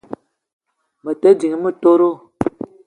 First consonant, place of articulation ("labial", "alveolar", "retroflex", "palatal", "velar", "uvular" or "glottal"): labial